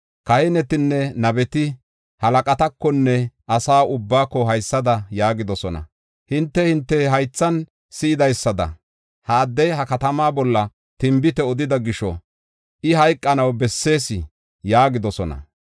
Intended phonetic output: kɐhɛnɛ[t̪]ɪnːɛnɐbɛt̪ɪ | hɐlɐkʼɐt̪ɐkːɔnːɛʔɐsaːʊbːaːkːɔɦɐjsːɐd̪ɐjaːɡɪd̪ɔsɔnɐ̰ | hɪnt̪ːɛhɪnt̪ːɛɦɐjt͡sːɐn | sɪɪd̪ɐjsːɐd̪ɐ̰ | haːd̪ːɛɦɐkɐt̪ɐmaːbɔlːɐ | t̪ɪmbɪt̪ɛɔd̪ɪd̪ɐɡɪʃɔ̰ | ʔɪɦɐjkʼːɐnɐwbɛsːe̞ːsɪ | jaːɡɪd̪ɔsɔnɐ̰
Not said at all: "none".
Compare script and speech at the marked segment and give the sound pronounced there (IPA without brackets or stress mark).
t̪